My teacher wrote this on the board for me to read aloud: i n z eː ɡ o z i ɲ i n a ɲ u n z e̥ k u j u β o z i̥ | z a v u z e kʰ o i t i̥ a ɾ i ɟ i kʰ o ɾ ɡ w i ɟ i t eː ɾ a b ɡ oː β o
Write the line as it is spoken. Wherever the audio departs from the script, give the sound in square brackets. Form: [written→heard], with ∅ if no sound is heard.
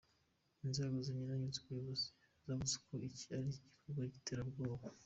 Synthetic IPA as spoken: i n z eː ɡ o z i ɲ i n a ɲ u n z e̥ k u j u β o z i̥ | z a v u z e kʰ o i [t→c] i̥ a ɾ i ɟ i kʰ o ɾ ɡ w [i→a] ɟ i t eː ɾ a b ɡ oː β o